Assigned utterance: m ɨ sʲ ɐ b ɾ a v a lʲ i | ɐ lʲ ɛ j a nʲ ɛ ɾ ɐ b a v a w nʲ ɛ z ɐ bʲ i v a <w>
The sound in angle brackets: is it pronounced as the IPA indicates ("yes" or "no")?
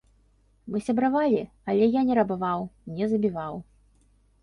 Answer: yes